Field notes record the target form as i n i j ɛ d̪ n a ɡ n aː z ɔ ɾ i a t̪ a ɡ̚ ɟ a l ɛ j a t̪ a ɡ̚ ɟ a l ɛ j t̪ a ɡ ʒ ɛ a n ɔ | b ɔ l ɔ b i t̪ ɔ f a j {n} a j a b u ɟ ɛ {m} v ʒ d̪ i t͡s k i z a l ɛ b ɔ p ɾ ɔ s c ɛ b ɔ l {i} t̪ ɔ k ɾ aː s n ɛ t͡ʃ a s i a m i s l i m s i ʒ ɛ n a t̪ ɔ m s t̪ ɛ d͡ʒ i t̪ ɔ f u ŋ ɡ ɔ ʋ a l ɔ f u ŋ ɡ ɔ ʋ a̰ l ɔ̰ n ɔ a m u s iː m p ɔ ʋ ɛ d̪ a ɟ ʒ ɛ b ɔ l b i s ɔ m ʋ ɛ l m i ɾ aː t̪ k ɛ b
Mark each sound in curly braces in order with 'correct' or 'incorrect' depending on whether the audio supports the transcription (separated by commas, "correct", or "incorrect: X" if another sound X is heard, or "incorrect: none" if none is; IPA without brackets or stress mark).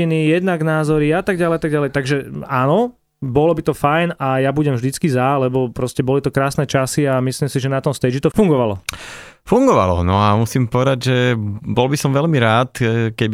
correct, correct, correct